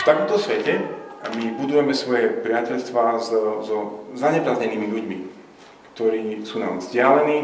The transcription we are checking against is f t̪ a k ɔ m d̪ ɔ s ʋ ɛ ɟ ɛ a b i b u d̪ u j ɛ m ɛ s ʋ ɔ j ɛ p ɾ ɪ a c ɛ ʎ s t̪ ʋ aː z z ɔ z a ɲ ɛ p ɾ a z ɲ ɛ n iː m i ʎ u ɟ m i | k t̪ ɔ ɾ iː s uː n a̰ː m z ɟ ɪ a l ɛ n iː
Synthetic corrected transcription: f t̪ a k ɔ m t̪ ɔ s ʋ ɛ c ɛ a m i b u d̪ u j ɛ m ɛ s ʋ ɔ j ɛ p ɾ ɪ a c ɛ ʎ s t̪ ʋ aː z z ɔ z a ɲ ɛ p ɾ a z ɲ ɛ n iː m i ʎ u ɟ m i | k t̪ ɔ ɾ iː s uː n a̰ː m z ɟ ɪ a l ɛ n iː